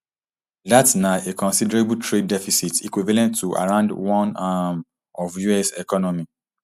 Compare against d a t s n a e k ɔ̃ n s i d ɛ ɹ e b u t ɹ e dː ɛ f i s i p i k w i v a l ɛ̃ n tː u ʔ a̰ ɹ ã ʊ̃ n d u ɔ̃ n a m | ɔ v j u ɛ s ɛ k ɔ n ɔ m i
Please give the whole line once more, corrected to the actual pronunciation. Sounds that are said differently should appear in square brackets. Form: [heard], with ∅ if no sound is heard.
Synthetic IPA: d a t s n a e k ɔ̃ n s i d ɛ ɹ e b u t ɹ e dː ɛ f i s i [t] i k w i v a l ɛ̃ n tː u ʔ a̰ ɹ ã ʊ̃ n d [w] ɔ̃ n a m | ɔ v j u ɛ s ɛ k ɔ n ɔ m i